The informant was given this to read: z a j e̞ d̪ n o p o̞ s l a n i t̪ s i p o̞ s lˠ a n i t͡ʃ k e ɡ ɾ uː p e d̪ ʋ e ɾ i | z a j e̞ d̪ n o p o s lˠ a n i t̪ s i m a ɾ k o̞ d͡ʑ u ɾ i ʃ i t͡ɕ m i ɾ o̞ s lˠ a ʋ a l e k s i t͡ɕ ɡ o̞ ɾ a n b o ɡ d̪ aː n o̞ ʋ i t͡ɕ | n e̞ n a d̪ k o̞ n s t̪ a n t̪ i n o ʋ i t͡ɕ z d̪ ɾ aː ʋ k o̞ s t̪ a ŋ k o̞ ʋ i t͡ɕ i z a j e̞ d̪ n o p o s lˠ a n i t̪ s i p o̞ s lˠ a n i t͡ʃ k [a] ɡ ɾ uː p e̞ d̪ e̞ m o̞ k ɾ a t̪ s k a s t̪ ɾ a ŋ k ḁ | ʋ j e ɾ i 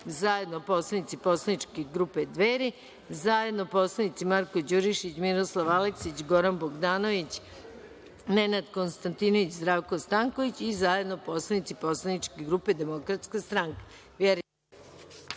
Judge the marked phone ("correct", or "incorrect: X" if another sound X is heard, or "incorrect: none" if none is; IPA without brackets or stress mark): incorrect: e